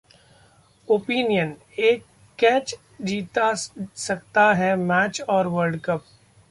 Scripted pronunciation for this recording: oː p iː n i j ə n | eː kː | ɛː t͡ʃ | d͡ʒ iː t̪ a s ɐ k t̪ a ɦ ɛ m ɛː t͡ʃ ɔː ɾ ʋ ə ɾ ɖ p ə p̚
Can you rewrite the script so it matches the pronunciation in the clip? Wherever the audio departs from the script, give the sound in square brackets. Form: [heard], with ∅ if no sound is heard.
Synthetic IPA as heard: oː p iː n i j ə n | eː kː | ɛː t͡ʃ | d͡ʒ iː t̪ a s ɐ k t̪ a ɦ ɛ m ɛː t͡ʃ ɔː ɾ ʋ ə ɾ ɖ [k] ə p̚

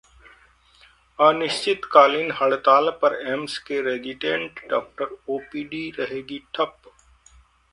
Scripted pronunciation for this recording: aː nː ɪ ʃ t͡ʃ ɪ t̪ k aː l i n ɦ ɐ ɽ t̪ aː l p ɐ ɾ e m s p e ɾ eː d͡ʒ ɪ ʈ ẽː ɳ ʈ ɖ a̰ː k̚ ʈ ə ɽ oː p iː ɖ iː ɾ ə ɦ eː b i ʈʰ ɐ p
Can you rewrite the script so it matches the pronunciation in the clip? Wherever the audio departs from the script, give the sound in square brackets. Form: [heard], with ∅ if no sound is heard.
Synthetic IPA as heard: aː [n] ɪ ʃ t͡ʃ ɪ t̪ k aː l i n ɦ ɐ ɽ t̪ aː l p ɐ ɾ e m s [k] e ɾ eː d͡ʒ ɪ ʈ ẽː ɳ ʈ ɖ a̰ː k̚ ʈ ə [ɾ] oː p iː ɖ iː ɾ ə ɦ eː [ɡ] i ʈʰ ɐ p

